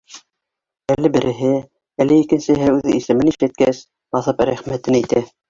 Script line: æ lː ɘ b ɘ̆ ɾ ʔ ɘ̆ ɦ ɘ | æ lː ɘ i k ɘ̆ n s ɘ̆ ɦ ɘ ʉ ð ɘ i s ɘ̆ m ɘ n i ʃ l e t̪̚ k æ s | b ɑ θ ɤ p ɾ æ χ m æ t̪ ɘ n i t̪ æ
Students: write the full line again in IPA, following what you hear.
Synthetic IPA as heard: æ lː ɘ b ɘ̆ ɾ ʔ ɘ̆ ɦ ɘ | æ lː ɘ i k ɘ̆ n s ɘ̆ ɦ ɘ ʉ ð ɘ i s ɘ̆ m ɘ n i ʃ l æ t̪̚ k æ s | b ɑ θ ɤ p ɾ æ χ m æ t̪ ɘ n i t̪ æ